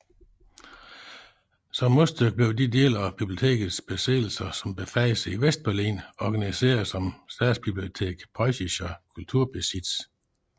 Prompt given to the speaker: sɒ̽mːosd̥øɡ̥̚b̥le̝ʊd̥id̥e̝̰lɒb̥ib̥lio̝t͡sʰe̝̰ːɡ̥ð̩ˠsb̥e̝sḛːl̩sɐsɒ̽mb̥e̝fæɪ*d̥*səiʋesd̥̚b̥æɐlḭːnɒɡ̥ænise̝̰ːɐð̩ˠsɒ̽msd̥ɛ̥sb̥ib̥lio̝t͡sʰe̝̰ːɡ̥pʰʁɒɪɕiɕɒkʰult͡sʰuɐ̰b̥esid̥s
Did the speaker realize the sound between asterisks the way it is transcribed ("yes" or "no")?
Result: no